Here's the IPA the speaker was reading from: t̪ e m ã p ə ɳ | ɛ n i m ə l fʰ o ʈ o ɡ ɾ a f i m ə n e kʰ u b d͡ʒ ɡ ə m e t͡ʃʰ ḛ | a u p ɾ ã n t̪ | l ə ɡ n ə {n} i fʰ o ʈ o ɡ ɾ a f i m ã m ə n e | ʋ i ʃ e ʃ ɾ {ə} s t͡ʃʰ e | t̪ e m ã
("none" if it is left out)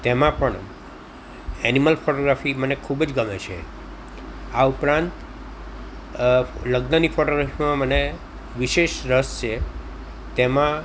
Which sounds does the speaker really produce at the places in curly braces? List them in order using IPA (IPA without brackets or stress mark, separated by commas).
n, ə